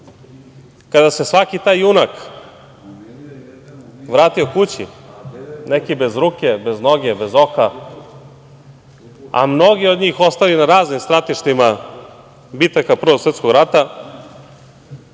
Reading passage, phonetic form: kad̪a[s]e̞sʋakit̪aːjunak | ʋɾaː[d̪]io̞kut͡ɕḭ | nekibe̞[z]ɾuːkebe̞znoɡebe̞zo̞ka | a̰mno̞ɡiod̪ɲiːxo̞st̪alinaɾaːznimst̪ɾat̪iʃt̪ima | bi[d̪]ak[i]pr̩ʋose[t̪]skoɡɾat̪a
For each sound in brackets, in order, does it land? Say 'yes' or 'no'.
yes, no, yes, no, no, yes

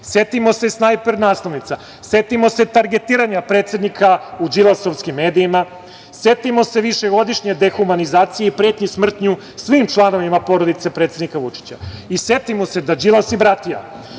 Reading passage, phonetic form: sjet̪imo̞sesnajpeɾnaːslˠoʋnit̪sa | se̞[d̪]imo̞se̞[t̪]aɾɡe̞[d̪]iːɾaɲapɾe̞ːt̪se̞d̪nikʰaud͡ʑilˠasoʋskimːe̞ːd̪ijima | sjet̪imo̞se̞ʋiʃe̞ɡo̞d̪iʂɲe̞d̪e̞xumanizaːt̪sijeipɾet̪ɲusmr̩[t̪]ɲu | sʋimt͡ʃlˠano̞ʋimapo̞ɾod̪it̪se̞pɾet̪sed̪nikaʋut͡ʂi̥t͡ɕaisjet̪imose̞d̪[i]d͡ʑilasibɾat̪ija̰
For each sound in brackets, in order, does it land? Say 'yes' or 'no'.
no, yes, no, yes, no

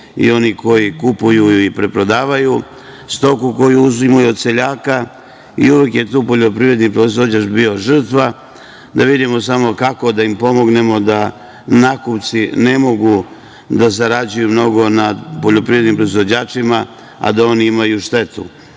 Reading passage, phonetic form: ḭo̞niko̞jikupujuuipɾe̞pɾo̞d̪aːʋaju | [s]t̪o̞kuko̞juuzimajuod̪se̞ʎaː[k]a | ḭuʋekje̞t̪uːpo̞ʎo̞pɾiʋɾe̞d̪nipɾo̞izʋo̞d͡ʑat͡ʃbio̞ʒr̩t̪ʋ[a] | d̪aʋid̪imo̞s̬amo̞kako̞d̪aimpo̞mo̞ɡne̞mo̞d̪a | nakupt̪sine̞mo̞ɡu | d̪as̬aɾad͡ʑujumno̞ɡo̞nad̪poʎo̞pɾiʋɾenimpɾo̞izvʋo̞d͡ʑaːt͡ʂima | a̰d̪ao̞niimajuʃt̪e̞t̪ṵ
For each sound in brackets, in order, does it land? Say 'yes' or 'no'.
yes, yes, yes

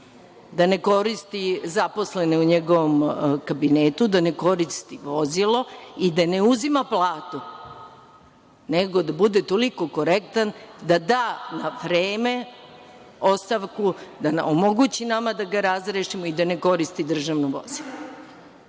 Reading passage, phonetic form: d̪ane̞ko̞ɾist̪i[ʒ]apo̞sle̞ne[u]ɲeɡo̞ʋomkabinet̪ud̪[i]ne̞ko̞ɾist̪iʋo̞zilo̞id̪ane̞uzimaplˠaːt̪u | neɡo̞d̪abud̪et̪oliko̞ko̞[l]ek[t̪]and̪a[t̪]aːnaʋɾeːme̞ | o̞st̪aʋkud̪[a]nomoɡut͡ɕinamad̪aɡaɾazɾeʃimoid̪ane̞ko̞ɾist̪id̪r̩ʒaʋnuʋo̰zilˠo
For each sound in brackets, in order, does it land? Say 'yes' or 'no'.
no, yes, no, no, yes, no, yes

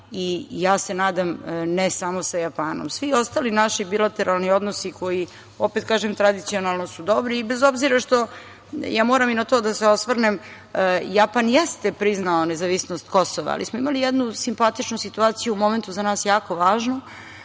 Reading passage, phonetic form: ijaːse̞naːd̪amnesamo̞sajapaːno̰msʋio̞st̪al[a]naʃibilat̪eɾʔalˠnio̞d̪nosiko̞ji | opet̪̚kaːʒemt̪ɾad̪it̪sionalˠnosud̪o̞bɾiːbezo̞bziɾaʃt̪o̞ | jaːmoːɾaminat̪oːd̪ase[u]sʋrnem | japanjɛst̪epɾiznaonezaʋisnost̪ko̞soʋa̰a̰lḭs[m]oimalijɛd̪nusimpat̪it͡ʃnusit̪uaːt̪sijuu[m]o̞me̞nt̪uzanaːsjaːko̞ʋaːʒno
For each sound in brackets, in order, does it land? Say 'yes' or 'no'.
no, no, yes, yes

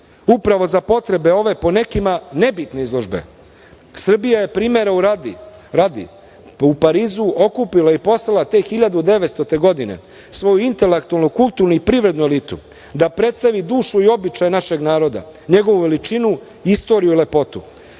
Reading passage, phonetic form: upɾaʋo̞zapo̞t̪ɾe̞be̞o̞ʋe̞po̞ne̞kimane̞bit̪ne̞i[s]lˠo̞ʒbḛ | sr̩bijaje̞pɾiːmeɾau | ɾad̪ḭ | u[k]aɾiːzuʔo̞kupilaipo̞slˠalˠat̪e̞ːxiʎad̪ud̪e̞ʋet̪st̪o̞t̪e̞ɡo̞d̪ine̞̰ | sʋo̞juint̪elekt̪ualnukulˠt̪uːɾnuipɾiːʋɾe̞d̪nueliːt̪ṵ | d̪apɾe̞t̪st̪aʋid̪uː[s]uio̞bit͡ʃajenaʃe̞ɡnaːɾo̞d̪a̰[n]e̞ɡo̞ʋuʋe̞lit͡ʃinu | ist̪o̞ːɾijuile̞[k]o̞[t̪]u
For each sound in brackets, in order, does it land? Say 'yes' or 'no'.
no, no, no, no, no, yes

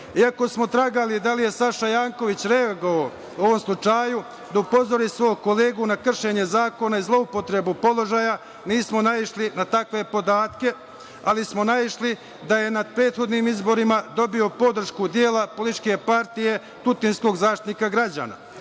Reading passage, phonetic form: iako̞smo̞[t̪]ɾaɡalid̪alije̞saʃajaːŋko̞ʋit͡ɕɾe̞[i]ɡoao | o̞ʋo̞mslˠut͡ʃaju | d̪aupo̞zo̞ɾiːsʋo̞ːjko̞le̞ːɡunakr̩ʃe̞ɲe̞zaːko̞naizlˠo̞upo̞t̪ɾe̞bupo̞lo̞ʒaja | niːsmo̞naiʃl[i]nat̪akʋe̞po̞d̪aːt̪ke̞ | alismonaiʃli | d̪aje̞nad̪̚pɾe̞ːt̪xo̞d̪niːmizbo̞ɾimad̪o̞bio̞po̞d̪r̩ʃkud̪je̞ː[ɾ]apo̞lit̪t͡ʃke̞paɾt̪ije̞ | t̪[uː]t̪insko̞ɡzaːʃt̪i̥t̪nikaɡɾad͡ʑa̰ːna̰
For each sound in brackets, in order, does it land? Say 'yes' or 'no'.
yes, no, yes, no, no

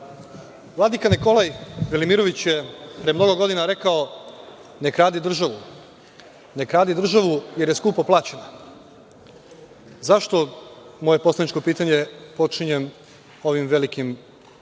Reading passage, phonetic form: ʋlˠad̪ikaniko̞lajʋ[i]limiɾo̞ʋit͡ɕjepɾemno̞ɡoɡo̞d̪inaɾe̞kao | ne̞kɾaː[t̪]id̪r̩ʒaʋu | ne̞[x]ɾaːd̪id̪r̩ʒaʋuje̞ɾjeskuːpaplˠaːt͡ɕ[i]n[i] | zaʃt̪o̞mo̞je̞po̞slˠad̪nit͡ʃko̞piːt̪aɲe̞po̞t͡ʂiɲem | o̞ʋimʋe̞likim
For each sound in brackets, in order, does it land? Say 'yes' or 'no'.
no, no, no, no, no

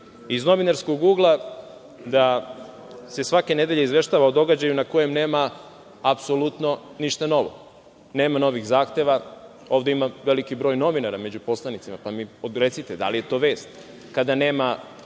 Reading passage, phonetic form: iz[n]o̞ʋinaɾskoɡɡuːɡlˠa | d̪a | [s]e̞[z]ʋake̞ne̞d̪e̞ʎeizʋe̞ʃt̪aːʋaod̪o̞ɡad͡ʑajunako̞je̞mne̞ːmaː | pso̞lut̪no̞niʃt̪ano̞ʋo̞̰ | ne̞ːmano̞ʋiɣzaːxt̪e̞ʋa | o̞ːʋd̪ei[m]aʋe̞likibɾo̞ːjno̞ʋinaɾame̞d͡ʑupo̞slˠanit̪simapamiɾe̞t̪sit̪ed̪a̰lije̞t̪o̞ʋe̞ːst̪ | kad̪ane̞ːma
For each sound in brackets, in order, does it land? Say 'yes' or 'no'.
yes, yes, no, yes

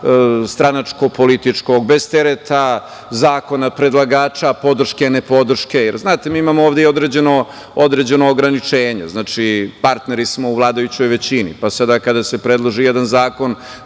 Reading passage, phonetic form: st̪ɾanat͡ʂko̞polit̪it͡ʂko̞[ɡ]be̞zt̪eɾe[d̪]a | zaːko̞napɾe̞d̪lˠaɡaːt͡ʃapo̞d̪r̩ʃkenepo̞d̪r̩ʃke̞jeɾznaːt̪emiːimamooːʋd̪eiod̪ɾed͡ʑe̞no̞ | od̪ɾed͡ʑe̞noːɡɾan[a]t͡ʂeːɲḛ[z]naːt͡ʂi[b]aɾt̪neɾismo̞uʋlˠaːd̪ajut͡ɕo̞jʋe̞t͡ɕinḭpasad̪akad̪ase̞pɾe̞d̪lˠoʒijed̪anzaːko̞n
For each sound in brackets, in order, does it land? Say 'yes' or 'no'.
yes, no, no, yes, no

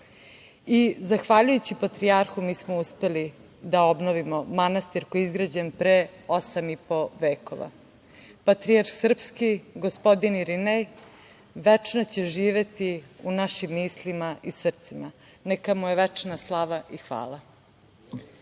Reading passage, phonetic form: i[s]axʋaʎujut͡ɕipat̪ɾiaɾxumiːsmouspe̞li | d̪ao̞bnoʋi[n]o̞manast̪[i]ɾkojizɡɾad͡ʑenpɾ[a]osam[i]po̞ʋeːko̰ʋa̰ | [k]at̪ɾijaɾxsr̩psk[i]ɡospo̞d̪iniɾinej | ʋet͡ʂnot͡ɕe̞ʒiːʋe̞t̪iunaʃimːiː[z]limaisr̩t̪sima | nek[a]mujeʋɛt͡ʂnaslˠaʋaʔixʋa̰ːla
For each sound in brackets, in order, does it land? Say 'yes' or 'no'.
no, no, yes, no, yes, no, yes, no, yes

